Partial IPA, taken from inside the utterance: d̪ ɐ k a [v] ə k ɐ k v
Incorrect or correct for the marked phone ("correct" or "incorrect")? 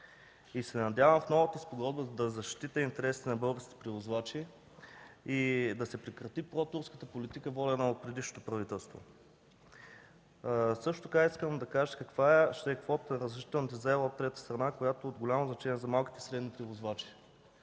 incorrect